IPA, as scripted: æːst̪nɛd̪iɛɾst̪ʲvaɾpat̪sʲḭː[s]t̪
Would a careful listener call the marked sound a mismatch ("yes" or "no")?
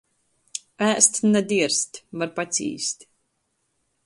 no